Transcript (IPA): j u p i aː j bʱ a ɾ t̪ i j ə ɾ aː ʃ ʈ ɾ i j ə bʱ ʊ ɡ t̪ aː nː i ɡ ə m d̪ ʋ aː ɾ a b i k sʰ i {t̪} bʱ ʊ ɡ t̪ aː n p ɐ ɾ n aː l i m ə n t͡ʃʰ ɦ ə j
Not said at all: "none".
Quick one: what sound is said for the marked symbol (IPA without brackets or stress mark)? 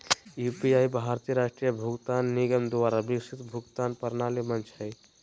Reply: t̪